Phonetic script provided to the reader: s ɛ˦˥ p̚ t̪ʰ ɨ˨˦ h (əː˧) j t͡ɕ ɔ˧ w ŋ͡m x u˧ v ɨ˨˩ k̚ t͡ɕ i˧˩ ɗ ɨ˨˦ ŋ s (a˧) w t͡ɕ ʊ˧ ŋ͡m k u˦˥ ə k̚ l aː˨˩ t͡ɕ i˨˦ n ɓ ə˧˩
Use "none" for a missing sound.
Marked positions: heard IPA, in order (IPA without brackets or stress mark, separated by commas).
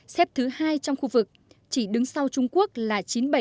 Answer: aː˧, a˧